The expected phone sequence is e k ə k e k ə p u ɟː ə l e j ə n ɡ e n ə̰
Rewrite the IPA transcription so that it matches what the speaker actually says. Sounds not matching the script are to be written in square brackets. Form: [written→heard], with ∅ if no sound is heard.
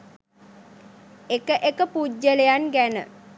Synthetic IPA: e k ə [k→ʔ] e k ə p u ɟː ə l e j [ə→a] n ɡ [e→æ] n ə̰